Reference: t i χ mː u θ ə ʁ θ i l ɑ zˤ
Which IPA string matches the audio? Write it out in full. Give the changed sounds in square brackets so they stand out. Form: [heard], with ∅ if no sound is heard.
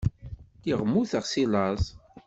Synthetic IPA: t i [ʁ] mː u θ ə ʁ [s] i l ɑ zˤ